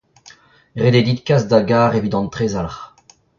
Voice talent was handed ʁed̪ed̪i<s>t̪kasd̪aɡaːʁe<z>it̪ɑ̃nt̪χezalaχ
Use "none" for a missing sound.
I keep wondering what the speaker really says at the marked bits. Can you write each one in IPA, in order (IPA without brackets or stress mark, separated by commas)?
none, v